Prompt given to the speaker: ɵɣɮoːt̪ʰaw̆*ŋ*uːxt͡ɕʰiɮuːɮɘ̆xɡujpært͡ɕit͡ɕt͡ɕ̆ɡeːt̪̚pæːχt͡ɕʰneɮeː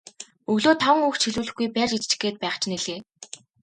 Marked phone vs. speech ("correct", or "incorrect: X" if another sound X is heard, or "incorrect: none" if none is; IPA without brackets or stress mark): correct